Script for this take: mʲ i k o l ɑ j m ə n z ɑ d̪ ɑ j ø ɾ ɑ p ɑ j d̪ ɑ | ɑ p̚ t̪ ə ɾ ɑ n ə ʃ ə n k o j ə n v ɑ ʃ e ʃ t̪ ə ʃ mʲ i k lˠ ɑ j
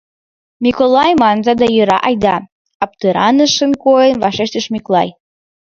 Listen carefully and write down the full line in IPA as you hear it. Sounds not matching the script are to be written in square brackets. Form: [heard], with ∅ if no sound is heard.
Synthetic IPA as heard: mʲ i k o l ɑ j m [ɑ] n z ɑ d̪ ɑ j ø ɾ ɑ [ʔ] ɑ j d̪ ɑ | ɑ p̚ t̪ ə ɾ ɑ n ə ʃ ə n k o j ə n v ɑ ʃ e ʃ t̪ ə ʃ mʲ i k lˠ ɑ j